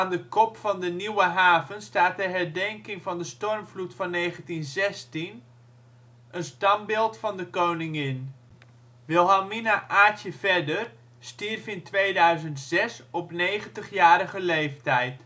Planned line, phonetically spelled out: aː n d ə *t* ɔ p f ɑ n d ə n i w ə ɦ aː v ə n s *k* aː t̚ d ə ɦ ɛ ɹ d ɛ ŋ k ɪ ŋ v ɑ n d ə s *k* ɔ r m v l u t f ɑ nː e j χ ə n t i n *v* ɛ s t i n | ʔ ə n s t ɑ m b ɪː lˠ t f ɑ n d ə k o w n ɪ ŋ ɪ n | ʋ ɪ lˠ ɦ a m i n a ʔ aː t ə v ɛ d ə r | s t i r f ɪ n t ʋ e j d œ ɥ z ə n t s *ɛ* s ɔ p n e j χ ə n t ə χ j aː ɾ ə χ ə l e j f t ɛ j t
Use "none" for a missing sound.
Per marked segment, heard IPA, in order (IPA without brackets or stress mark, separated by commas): k, t, t, z, ɛ